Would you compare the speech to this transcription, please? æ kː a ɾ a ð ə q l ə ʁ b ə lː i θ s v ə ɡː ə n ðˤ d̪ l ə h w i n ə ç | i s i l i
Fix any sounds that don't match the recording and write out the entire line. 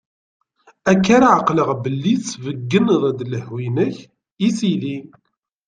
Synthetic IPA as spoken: æ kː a ɾ a ʕ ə q l ə ʁ b ə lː i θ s v ə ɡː ə n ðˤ d̪ l ə h w i n ə ç | i s i l i